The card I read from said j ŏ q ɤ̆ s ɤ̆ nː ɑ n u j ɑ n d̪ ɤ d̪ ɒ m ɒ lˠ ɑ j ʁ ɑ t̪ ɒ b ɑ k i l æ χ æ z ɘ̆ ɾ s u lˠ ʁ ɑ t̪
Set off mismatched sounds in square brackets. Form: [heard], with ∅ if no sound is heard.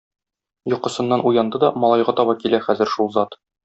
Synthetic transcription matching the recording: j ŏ q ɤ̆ s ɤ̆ nː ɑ n u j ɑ n d̪ ɤ d̪ ɒ m ɒ lˠ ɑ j ʁ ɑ t̪ ɒ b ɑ k i l æ χ æ z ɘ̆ ɾ [ʃ] u lˠ [z] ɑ t̪